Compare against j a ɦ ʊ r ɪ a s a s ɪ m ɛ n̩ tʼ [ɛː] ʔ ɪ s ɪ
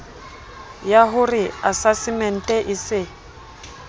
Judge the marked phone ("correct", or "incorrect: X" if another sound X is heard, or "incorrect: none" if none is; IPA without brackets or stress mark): incorrect: ɛ